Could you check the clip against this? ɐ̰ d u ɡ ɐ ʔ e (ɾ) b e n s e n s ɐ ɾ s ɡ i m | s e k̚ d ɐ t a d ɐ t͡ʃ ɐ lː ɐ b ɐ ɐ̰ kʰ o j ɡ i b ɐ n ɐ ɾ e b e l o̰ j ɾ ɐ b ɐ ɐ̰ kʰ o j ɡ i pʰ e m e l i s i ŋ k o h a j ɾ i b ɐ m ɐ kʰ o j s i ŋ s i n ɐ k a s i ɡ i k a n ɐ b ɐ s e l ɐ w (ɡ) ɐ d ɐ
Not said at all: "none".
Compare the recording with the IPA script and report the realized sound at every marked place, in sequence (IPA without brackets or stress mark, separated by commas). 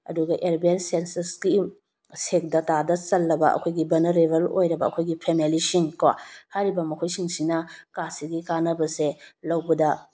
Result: ɾ, b